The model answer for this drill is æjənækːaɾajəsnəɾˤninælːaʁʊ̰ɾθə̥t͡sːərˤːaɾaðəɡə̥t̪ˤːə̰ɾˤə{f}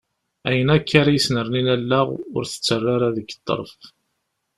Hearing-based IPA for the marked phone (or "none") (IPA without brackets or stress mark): f